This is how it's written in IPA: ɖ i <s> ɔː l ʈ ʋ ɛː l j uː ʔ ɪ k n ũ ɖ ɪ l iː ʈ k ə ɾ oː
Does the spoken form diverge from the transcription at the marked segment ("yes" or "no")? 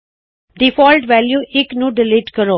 yes